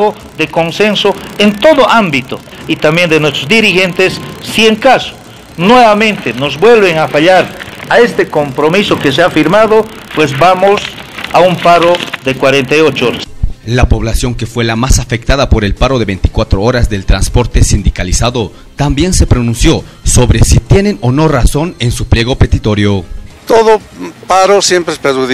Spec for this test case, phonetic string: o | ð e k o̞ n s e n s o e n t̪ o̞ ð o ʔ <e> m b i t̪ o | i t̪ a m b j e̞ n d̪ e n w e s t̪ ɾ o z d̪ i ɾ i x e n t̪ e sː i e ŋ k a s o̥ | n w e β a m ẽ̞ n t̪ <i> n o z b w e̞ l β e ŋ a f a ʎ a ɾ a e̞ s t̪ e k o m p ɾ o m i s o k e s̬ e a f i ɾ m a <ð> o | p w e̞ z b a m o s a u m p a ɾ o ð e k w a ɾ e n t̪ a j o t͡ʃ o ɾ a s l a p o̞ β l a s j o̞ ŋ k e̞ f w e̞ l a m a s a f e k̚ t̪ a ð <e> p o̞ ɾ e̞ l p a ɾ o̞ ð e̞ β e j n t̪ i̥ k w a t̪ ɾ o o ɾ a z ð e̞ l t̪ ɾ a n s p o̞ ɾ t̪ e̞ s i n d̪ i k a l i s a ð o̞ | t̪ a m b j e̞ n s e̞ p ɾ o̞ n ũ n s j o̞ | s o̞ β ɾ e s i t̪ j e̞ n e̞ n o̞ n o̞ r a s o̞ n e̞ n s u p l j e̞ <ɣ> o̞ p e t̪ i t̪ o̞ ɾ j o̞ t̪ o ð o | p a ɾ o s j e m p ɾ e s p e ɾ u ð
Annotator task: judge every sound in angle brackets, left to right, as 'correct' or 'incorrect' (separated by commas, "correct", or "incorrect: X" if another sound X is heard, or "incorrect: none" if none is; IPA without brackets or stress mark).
incorrect: a, incorrect: e, correct, incorrect: a, correct